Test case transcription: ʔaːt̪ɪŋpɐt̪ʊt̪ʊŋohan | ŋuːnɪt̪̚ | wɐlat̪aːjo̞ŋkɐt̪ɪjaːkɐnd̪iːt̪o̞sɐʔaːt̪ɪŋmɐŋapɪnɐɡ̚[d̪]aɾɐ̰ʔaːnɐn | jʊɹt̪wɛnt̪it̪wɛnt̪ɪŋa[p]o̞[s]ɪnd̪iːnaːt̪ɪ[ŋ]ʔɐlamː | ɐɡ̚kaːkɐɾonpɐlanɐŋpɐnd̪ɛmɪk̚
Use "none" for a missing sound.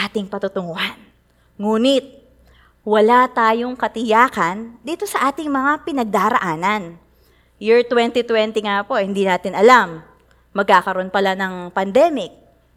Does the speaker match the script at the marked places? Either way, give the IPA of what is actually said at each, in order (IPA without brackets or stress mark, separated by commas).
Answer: d̪, p, h, n